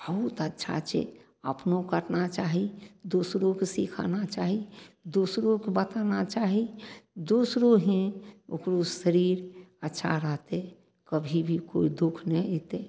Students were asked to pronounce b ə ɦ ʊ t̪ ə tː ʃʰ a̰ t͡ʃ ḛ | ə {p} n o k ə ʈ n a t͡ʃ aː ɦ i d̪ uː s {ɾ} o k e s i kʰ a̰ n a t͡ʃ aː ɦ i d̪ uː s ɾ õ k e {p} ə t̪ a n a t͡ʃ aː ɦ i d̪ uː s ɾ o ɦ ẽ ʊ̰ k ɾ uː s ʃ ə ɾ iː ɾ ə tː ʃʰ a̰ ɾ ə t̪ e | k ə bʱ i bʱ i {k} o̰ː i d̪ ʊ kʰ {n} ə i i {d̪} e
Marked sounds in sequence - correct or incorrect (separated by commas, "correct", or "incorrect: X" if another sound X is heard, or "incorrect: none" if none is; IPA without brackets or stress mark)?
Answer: correct, correct, incorrect: b, correct, correct, incorrect: t̪